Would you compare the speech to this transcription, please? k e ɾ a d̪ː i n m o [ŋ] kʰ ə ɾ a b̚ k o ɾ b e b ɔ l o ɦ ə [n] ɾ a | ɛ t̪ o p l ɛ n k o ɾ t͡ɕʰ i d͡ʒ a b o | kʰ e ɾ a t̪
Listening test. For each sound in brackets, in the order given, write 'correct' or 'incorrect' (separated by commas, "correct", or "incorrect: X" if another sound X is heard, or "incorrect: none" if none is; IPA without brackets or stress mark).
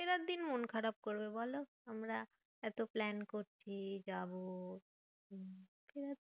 incorrect: n, incorrect: m